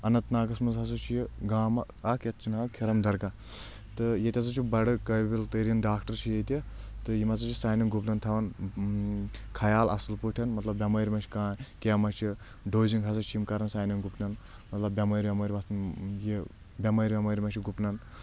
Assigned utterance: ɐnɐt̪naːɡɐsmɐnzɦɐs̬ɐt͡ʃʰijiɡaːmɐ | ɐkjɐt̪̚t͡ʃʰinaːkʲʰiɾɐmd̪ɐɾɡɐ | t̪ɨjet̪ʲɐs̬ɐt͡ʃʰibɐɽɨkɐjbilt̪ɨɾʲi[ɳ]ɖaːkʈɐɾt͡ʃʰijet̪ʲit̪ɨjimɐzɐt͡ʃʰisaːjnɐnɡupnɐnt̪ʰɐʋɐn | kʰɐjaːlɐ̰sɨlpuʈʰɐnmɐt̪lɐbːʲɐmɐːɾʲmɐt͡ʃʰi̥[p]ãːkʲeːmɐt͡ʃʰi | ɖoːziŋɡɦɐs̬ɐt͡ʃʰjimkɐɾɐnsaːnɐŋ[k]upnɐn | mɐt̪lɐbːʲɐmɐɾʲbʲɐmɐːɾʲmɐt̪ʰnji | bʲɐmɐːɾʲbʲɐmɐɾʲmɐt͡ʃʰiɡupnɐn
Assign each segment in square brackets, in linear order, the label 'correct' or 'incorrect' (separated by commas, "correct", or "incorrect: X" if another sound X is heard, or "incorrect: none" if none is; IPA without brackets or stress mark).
incorrect: n, incorrect: k, incorrect: ɡ